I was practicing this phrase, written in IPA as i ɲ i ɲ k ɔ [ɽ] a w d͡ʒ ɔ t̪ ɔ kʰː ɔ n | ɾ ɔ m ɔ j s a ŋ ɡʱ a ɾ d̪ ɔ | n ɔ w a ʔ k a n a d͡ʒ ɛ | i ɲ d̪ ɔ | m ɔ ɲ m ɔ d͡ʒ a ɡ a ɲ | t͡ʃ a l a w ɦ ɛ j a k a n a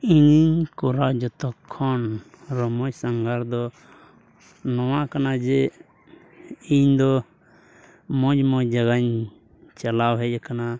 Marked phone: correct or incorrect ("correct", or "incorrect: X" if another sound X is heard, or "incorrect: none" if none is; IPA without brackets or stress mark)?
incorrect: ɾ